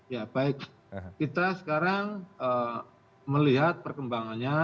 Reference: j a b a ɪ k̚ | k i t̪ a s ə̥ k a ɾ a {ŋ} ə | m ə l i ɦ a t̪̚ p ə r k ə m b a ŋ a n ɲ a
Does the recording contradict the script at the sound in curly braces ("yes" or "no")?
no